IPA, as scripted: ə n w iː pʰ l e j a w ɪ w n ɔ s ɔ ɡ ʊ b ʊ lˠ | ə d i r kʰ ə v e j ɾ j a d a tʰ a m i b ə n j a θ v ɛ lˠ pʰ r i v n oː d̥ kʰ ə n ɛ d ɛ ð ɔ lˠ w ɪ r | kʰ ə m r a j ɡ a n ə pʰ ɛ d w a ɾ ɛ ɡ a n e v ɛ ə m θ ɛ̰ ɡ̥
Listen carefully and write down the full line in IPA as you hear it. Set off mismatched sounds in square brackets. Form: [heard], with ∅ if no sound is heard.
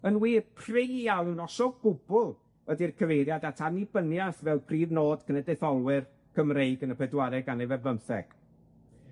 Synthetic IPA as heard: ə n w iː pʰ [r] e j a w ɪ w n ɔ s ɔ ɡ ʊ b ʊ lˠ | ə d i r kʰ ə v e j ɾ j a d a tʰ a [n] i b ə n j a θ v ɛ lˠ pʰ r [iː] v n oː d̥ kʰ ə n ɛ d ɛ [θ] ɔ lˠ w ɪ r | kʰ ə m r [e] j ɡ [ə] n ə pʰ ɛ d w a ɾ ɛ ɡ a n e v ɛ ə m θ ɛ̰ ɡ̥